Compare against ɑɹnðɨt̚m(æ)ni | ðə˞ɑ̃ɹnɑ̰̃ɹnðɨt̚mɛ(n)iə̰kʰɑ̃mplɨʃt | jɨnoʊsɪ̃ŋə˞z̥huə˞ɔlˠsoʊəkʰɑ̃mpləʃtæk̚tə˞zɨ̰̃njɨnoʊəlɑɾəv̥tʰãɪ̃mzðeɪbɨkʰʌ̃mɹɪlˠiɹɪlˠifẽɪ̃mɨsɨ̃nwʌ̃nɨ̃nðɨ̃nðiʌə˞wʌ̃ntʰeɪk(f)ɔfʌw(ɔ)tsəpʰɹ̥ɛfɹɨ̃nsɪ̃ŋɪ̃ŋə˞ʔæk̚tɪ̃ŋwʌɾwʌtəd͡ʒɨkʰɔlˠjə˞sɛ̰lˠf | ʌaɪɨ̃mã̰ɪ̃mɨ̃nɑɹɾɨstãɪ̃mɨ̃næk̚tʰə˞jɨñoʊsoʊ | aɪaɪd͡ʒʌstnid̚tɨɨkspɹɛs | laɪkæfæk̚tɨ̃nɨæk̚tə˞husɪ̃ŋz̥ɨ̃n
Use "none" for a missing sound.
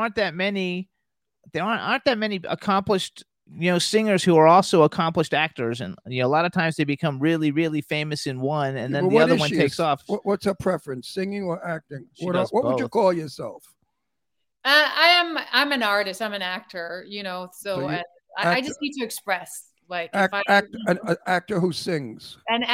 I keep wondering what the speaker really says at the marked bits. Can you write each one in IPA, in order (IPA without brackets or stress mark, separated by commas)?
ɛ, n, s, ʌ